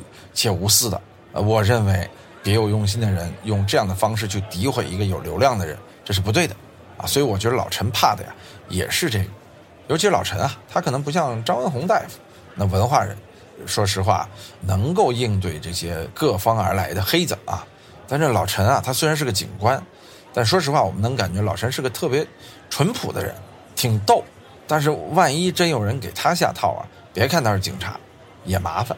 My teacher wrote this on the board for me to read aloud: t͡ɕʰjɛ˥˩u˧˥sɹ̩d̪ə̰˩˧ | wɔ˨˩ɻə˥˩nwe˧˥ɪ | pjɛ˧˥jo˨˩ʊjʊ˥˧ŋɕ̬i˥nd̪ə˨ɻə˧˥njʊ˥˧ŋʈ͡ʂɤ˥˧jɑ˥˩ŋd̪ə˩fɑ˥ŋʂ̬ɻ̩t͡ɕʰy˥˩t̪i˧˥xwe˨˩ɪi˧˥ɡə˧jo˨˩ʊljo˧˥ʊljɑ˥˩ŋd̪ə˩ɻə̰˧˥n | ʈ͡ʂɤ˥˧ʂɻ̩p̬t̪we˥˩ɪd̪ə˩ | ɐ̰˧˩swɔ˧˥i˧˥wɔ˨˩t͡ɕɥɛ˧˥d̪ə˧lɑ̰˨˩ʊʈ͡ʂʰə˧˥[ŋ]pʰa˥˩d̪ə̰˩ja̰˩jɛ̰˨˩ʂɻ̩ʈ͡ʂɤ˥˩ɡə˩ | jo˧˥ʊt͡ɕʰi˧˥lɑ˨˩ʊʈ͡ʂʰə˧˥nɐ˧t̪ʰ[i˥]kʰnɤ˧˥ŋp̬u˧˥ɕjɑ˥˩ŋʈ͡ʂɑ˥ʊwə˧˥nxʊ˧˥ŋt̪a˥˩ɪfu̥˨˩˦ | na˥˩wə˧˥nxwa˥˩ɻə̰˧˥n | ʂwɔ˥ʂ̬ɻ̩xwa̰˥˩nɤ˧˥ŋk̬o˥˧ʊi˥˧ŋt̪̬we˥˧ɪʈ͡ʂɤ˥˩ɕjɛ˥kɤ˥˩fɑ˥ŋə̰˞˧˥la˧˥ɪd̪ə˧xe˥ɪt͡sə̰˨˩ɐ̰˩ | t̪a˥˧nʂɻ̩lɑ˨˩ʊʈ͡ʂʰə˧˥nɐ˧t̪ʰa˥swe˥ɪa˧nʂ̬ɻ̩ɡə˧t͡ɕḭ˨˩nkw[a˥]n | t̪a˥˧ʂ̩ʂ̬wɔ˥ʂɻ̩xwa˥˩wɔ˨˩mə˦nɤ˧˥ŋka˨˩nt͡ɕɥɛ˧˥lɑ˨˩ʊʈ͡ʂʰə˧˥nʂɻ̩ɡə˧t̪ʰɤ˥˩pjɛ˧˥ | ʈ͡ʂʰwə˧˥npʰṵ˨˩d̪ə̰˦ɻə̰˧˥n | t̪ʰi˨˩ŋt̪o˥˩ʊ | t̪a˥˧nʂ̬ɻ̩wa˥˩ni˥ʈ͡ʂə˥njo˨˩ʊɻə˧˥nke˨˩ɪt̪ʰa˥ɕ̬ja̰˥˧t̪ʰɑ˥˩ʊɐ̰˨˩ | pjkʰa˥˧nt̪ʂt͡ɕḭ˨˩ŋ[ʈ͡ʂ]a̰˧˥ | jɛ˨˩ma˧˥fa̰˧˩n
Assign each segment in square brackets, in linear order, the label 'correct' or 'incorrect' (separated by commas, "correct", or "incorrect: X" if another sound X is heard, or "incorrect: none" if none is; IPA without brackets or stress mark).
incorrect: n, incorrect: a˥, correct, incorrect: ʈ͡ʂʰ